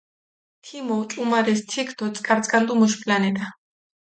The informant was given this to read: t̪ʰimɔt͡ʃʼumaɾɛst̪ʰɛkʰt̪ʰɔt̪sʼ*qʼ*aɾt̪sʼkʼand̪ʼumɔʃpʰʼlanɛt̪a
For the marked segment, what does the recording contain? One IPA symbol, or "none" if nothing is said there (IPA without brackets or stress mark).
kʼ